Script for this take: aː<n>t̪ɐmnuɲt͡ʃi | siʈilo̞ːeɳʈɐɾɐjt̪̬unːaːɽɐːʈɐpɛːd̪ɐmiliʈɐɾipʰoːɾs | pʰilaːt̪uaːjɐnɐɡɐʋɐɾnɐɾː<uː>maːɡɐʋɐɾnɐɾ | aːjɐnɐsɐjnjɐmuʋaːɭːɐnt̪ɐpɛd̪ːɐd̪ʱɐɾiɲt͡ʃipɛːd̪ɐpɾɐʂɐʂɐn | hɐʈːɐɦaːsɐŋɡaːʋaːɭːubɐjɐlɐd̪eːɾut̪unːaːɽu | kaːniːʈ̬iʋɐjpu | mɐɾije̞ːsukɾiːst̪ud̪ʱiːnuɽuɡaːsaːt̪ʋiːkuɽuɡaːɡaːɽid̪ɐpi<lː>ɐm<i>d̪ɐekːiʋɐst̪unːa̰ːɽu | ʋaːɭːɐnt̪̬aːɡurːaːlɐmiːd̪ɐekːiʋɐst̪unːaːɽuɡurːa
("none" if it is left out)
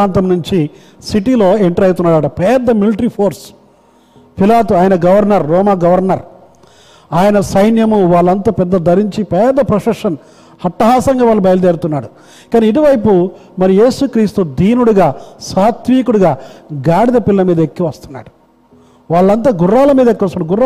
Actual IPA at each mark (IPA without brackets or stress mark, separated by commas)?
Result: n, ɔː, lː, iː